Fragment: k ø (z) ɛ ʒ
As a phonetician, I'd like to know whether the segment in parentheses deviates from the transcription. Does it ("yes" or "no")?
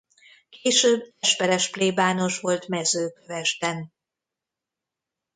yes